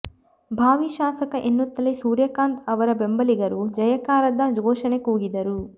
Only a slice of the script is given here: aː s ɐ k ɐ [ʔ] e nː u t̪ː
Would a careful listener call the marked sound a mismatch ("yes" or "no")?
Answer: no